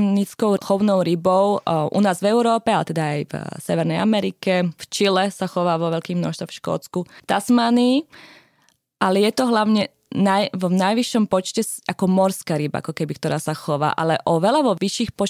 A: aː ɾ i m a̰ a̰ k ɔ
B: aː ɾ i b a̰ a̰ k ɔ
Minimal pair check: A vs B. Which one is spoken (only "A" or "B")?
B